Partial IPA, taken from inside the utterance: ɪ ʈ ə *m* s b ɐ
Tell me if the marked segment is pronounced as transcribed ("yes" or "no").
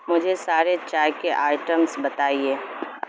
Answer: yes